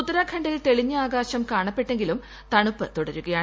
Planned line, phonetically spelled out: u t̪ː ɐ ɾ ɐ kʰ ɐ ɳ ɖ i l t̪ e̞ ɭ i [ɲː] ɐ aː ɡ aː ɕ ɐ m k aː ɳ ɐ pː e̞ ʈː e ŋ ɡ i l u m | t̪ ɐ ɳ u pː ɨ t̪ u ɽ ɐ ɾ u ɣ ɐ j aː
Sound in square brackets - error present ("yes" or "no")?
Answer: no